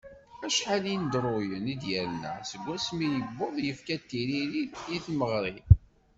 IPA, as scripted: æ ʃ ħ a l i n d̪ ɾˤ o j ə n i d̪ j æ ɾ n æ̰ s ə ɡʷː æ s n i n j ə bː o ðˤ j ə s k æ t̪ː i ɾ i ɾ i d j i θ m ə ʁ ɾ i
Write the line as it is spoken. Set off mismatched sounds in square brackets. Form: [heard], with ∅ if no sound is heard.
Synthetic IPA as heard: æ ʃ ħ a l i n d̪ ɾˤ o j ə n i d̪ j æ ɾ n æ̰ s ə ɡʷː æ s [m] i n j ə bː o ðˤ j ə [f] k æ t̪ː i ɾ i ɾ i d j i θ m ə ʁ ɾ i

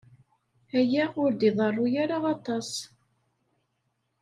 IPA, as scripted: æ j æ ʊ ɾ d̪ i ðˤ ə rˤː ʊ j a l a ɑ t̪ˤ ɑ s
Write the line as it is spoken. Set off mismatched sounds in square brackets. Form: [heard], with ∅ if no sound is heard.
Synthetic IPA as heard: æ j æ ʊ ɾ d̪ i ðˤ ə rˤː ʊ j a [ɾ] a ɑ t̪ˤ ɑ s

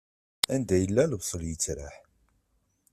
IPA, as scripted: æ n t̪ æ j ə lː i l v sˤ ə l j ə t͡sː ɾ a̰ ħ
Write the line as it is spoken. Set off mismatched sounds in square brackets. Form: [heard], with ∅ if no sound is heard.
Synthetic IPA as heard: æ n [d̪] æ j ə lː [æ] l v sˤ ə l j ə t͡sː ɾ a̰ ħ

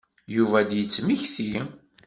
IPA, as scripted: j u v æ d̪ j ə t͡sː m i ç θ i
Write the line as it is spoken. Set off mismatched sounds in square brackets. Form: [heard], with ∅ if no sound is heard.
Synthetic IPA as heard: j u v æ d̪ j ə t͡sː m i ç θ i

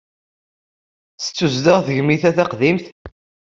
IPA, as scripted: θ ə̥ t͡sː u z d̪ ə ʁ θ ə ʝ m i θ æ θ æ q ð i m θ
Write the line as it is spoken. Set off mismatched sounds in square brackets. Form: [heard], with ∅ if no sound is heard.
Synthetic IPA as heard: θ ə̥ t͡sː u z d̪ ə ʁ θ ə ʝ m i θ æ θ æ q ð i m θ

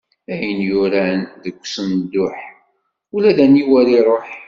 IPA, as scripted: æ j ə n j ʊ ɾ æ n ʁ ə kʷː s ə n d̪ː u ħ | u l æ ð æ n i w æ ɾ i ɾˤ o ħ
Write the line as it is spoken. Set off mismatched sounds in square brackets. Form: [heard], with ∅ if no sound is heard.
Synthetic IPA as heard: æ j ə n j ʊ ɾ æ n [ð] ə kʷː s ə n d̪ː [ʊ] ħ | u l æ ð æ n i w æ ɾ i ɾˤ o ħ

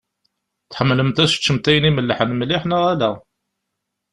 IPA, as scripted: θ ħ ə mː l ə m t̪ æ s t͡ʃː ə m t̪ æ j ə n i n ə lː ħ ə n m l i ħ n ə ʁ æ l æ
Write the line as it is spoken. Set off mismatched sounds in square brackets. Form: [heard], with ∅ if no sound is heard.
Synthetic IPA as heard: θ ħ ə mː l ə m t̪ æ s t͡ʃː ə m t̪ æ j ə n i [m] ə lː ħ ə n m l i ħ n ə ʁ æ l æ

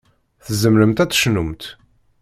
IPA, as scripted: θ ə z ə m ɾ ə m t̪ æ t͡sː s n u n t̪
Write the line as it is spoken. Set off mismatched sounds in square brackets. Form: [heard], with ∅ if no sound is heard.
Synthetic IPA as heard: θ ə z ə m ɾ ə m t̪ æ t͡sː [ʃ] n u [m] t̪

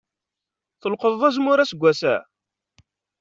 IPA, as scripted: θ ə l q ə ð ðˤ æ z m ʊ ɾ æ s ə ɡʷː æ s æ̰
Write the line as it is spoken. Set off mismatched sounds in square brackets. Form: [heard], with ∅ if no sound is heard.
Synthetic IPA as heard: θ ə l q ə ð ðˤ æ z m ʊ ɾ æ s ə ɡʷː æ s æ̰

